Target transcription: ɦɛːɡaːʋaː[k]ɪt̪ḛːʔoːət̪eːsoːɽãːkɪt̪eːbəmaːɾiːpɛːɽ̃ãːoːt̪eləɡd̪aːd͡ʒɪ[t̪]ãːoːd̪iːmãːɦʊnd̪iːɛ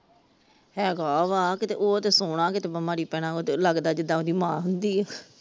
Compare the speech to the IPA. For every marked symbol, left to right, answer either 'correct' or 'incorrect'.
correct, incorrect: d̪

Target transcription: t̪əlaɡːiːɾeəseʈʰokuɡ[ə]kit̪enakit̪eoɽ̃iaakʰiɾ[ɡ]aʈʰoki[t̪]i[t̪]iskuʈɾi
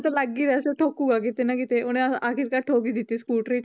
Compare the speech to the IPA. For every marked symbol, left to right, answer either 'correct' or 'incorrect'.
incorrect: a, incorrect: k, incorrect: d̪, correct

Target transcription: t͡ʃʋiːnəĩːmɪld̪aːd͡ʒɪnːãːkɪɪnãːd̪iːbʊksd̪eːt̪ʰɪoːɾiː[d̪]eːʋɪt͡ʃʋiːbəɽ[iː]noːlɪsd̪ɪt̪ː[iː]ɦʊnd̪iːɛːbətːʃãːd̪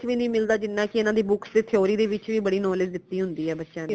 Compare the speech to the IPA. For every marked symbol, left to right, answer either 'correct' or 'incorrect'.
correct, correct, correct

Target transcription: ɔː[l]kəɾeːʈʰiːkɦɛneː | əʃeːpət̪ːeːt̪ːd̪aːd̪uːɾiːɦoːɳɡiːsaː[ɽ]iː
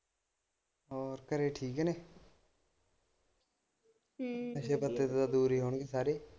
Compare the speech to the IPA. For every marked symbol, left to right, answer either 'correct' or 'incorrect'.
incorrect: ɾ, incorrect: ɾ

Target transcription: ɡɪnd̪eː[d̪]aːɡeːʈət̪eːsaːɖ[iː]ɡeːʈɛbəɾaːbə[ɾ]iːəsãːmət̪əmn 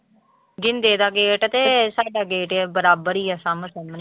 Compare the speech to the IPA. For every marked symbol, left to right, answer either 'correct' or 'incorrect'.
correct, incorrect: aː, correct

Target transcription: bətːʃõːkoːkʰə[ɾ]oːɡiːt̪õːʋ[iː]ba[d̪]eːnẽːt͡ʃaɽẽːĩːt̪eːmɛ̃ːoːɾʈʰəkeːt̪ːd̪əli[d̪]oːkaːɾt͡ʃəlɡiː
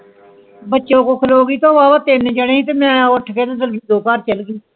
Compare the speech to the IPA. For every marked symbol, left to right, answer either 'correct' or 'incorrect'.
incorrect: l, incorrect: aː, incorrect: t̪, correct

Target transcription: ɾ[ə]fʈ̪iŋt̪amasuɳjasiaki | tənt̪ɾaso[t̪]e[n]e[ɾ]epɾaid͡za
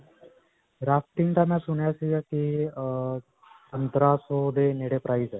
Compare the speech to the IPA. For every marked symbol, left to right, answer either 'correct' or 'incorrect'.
incorrect: a, incorrect: d̪, correct, incorrect: ɽ

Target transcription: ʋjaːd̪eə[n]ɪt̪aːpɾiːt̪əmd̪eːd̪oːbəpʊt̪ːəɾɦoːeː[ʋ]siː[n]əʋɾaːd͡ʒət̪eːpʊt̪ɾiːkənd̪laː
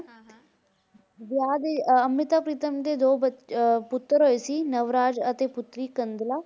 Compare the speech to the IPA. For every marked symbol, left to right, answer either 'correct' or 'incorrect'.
incorrect: m, incorrect: none, correct

